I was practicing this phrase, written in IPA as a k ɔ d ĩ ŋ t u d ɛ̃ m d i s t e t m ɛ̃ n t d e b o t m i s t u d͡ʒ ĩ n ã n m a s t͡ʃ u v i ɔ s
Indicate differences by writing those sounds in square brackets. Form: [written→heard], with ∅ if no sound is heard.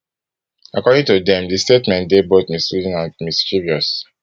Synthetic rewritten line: a k ɔ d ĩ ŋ t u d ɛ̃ m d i s t e t m ɛ̃ n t d e b o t m i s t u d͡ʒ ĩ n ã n m [a→i] s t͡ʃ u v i ɔ s